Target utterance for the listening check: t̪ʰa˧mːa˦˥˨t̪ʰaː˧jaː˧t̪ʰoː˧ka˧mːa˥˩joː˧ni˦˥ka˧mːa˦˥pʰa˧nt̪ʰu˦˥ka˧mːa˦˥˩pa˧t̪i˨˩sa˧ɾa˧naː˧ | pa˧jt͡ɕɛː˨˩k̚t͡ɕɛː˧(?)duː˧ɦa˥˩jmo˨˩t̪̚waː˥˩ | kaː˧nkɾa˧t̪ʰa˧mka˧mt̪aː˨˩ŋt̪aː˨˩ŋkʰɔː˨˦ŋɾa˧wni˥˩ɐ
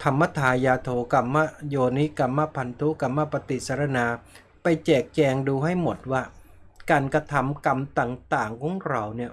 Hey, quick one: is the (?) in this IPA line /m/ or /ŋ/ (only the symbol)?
ŋ